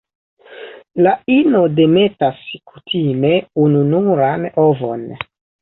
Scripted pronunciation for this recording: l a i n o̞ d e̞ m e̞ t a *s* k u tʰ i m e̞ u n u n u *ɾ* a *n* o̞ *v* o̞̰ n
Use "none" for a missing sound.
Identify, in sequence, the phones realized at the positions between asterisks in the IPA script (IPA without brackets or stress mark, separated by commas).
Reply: s, ɾ, n, v